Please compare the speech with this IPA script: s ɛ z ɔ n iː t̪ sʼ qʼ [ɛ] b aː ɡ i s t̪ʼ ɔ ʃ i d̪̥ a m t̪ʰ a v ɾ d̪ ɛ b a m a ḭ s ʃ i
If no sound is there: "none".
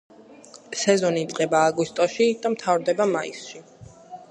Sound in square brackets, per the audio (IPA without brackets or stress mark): ɛ